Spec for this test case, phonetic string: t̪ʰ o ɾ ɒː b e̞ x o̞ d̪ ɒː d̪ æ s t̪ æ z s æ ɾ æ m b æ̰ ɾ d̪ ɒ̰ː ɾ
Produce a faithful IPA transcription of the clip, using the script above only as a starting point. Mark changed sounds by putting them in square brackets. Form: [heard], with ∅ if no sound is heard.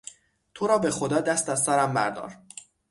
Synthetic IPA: t̪ʰ o ɾ ɒː b e̞ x o̞ d̪ ɒː d̪ æ s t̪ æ z s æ ɾ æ m b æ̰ ɾ d̪ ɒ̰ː ɾ

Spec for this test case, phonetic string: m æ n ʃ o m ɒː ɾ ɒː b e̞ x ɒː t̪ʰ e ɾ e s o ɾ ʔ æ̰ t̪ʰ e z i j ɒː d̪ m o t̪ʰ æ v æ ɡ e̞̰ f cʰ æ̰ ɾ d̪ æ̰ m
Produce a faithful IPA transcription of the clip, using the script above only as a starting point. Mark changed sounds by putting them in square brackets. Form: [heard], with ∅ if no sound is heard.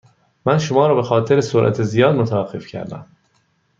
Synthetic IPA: m æ n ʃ o m ɒː ɾ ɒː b e̞ x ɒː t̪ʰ e ɾ e s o ɾ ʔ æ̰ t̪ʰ e z i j ɒː d̪ m o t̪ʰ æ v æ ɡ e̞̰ f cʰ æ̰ ɾ d̪ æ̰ m

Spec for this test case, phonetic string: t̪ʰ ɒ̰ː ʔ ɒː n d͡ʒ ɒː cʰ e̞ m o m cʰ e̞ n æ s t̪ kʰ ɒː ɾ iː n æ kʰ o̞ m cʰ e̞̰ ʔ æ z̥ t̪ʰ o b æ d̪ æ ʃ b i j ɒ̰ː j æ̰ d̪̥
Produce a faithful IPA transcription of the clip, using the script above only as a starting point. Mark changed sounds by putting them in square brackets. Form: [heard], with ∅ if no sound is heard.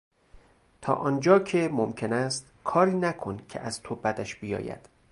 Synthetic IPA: t̪ʰ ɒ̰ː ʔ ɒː n d͡ʒ ɒː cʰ e̞ m o m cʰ e̞ n æ s t̪ kʰ ɒː ɾ iː n æ kʰ o̞ [n] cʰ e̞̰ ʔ æ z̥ t̪ʰ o b æ d̪ æ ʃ b i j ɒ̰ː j æ̰ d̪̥

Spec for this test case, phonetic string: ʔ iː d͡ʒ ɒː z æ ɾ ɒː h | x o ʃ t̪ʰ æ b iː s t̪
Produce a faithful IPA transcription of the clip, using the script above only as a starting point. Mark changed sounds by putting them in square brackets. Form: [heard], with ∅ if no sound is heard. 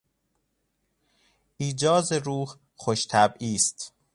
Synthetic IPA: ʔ iː d͡ʒ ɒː z [e] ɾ [uː] h | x o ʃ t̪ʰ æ b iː s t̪

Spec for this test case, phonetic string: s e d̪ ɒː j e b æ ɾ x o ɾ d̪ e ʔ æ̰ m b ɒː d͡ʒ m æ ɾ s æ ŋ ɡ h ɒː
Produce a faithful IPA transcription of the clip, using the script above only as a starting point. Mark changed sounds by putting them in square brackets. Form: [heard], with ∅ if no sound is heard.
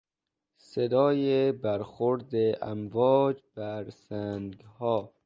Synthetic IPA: s e d̪ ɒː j e b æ ɾ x o ɾ d̪ e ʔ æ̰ m [v] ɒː d͡ʒ [b] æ ɾ s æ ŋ ɡ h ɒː

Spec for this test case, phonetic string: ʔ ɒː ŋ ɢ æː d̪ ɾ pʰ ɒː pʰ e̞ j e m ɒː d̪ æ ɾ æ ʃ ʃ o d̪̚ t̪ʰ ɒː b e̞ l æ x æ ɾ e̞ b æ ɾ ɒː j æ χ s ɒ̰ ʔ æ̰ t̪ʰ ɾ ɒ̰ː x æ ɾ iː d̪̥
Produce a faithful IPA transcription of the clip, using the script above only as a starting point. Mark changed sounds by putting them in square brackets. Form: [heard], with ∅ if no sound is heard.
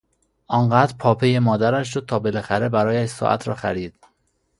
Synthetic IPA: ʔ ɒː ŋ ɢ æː d̪ ɾ pʰ ɒː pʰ e̞ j e m ɒː d̪ æ ɾ æ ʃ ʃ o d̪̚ t̪ʰ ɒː b e̞ l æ x æ ɾ e̞ b æ ɾ ɒː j æ [ʃ] s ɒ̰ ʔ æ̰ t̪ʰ ɾ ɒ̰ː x æ ɾ iː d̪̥

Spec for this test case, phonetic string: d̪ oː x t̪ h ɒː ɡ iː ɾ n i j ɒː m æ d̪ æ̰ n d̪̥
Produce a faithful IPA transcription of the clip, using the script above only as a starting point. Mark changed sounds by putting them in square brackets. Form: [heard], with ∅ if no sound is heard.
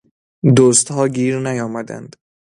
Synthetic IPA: d̪ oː [s] t̪ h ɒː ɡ iː ɾ n [æ] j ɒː m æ d̪ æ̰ n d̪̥

